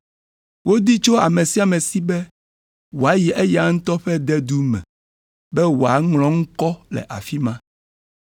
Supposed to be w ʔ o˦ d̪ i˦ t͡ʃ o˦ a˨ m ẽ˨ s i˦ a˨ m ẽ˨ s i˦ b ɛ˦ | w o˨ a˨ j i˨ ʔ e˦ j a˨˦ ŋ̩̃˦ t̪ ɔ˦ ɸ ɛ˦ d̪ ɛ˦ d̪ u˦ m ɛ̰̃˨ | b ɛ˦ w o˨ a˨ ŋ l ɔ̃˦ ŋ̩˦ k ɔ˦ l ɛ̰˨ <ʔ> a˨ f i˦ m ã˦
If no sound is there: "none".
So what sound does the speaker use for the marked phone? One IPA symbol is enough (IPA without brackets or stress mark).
ʔ